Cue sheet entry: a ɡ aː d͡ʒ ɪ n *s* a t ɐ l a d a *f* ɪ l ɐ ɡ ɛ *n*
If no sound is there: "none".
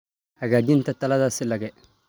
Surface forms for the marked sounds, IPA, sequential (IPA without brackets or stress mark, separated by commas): t, s, none